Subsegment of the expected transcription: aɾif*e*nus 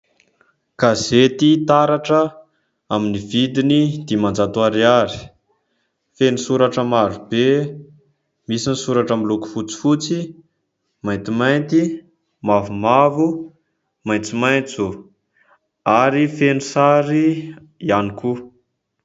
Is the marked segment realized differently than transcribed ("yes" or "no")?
no